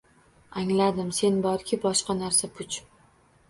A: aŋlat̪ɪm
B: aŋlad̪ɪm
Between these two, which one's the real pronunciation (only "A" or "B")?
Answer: B